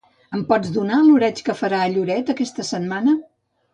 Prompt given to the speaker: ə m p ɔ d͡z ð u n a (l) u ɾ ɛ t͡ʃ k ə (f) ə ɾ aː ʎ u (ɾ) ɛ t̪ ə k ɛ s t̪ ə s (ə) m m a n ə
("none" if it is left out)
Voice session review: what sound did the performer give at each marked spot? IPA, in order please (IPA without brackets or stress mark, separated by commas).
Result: l, f, ɾ, ə